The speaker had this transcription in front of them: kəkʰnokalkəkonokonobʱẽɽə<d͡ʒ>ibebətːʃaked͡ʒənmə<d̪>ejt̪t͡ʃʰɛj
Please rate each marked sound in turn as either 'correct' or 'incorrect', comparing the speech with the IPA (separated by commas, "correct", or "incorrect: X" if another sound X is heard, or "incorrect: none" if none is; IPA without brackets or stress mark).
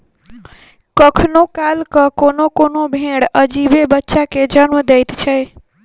correct, correct